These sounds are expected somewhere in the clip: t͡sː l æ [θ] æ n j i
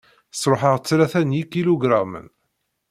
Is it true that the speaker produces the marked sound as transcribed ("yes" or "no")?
yes